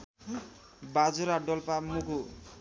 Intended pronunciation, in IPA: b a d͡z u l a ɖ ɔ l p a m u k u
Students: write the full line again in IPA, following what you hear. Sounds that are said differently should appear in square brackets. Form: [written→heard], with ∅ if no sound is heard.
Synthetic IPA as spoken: b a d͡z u [l→ɾ] a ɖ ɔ l p a m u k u